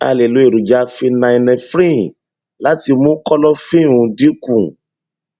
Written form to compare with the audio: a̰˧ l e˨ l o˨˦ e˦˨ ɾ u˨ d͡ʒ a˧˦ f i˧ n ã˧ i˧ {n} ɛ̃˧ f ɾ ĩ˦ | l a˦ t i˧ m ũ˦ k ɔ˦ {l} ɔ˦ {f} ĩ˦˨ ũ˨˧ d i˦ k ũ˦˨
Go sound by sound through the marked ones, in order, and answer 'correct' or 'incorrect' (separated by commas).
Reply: correct, correct, correct